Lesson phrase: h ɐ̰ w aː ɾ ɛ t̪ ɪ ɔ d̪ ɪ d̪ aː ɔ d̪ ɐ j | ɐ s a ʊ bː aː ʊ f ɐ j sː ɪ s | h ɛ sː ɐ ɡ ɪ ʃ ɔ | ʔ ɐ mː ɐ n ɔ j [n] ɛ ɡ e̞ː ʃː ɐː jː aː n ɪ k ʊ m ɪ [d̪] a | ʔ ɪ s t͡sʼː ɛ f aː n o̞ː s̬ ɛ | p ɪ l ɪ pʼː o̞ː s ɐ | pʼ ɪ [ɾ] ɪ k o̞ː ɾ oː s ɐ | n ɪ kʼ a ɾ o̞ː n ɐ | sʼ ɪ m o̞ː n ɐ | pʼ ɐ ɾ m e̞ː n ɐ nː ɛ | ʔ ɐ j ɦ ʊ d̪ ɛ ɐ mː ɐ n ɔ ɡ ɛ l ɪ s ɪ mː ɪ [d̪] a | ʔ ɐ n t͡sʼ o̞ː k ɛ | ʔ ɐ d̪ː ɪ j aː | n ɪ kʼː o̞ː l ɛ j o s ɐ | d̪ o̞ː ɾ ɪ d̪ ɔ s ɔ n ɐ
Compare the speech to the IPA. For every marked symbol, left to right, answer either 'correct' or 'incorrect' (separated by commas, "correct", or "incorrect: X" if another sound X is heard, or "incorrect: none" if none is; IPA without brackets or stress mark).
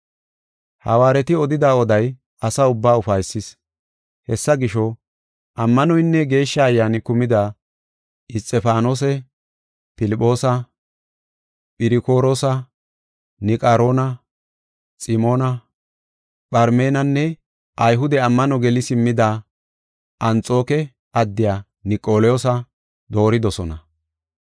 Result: incorrect: nː, correct, correct, correct